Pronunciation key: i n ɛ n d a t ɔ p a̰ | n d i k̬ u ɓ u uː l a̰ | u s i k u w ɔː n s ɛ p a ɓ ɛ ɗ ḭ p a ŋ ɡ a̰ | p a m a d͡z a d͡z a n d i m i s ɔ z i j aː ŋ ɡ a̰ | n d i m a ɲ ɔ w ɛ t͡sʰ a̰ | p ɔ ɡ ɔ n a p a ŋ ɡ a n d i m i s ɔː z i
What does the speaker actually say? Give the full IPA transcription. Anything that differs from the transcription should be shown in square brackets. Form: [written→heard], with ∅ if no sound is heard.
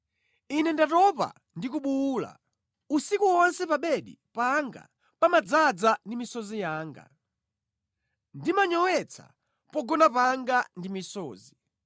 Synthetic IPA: i n ɛ n d a t ɔ p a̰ | n d i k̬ u ɓ u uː l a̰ | u s i k u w [ɔː→ɔ] n s ɛ p a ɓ ɛ ɗ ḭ p a ŋ ɡ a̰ | p a m a d͡z a d͡z a n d i m i s ɔ z i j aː ŋ ɡ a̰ | n d i m a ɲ ɔ w ɛ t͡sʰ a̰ | p ɔ ɡ ɔ n a p a ŋ ɡ a n d i m i s ɔː z i